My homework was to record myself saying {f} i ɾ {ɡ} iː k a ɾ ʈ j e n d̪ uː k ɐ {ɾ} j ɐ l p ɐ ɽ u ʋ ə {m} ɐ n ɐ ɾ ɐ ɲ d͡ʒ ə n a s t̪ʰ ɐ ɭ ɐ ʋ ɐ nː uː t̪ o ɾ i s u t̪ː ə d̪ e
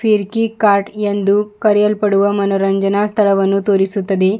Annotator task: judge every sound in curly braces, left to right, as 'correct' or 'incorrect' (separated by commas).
correct, incorrect, correct, correct